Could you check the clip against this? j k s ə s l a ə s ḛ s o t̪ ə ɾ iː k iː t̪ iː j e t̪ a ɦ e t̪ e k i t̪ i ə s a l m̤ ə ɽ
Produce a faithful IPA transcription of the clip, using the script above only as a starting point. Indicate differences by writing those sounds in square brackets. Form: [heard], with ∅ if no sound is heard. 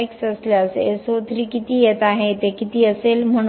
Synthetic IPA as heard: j k s ə s l a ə s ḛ s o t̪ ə ɾ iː k [i] t̪ iː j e t̪ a ɦ e t̪ e k i t̪ [iː] ə s [e] l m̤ ə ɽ